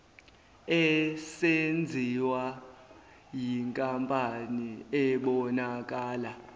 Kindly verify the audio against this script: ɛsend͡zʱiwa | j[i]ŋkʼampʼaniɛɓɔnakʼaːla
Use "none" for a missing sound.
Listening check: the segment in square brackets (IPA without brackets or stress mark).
i